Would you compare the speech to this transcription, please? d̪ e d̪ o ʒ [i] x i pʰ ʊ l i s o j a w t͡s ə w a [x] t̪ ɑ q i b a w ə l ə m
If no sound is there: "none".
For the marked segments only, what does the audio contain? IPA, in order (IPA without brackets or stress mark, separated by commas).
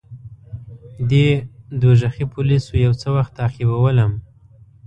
a, x